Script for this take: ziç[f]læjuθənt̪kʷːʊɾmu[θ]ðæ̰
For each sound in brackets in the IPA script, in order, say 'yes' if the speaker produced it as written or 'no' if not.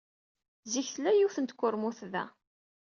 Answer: no, yes

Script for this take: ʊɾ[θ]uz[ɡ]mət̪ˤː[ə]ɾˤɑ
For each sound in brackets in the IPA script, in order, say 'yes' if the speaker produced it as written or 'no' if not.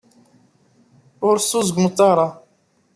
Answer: no, yes, no

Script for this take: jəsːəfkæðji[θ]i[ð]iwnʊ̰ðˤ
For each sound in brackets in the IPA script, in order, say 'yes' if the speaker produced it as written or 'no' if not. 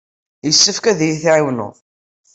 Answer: yes, no

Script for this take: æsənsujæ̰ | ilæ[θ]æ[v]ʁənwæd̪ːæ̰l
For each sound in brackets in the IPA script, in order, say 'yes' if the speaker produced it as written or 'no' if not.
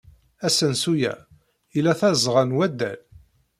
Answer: yes, no

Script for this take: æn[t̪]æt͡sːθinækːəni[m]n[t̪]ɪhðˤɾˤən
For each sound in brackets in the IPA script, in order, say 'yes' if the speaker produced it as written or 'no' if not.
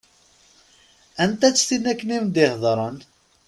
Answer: yes, yes, no

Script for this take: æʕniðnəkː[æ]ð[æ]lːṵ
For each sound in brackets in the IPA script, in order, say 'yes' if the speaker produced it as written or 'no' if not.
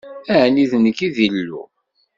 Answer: no, no

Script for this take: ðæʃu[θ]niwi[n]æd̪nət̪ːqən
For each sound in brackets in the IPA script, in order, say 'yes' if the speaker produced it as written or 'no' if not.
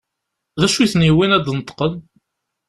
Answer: yes, yes

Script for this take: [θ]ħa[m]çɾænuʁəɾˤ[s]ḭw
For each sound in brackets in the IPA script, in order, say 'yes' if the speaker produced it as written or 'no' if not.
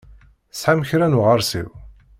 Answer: no, yes, yes

